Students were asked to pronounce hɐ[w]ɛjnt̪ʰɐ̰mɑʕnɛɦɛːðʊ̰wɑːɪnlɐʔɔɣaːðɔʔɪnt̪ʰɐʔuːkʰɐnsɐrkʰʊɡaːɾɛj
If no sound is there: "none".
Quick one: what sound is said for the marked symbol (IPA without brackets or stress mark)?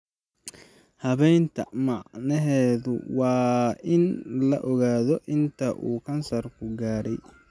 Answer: β